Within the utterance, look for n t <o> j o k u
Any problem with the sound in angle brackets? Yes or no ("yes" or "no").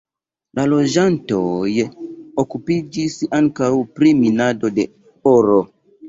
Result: no